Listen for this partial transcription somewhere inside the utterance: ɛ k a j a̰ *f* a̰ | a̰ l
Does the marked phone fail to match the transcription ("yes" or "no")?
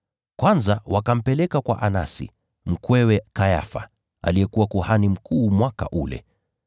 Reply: no